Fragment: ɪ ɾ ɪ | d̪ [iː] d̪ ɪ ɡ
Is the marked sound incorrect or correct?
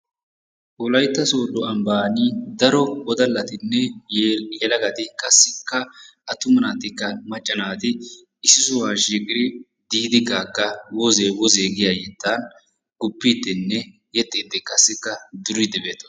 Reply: correct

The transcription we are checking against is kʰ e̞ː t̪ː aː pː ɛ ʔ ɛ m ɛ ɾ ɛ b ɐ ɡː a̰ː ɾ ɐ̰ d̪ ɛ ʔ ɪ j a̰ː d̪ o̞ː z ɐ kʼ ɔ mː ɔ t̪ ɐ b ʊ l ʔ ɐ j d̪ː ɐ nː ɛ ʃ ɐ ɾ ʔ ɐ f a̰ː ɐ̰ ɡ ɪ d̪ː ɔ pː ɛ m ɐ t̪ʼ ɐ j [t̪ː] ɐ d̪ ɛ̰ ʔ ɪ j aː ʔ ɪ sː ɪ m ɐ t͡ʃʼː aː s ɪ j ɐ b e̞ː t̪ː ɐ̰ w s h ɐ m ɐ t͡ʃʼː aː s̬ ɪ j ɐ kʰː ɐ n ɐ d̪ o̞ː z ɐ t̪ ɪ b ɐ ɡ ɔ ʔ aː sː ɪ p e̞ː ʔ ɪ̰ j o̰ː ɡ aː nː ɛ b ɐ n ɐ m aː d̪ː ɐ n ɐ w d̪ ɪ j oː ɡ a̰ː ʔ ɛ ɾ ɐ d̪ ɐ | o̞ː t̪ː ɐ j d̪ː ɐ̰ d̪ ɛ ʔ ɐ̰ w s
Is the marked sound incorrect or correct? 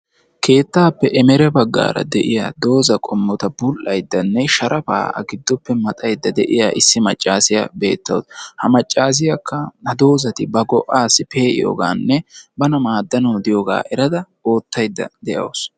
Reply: incorrect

